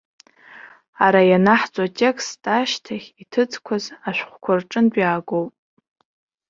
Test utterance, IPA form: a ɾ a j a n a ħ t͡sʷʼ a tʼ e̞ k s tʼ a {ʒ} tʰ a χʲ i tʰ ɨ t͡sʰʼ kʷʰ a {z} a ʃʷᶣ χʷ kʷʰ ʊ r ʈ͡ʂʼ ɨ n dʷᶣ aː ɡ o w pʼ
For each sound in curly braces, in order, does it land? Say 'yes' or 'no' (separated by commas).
no, yes